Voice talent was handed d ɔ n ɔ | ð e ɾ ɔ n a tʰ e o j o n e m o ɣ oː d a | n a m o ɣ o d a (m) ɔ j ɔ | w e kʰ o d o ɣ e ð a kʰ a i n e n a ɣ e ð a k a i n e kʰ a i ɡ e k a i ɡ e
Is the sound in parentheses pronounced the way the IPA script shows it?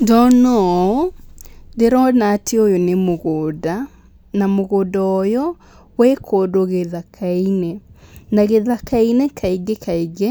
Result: no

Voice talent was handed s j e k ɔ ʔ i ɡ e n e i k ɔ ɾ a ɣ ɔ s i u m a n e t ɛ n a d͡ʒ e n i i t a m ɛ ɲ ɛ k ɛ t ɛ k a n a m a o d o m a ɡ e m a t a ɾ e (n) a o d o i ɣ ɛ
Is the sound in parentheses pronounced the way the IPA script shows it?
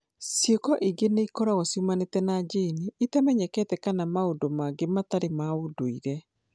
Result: no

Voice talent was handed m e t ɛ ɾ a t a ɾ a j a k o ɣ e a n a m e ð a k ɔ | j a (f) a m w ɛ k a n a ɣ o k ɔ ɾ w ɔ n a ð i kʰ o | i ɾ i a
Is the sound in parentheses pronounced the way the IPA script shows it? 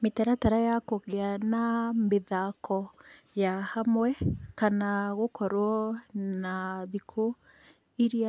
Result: no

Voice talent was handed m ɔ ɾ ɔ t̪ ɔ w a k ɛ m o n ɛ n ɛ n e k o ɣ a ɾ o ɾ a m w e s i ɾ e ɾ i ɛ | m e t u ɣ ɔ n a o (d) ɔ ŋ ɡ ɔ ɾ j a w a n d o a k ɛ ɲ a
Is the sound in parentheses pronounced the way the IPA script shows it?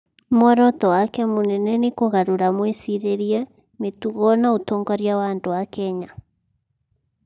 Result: no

